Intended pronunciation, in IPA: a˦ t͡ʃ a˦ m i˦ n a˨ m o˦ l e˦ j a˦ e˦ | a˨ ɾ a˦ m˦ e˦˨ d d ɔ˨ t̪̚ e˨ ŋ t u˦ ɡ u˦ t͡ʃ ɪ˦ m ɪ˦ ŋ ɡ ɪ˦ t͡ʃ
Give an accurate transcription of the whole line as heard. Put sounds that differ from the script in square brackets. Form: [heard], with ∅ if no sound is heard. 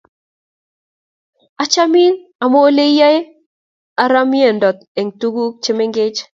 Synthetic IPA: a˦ t͡ʃ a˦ m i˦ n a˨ m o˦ l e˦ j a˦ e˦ | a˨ ɾ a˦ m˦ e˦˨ [n] d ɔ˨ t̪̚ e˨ ŋ t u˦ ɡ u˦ t͡ʃ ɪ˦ m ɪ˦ ŋ ɡ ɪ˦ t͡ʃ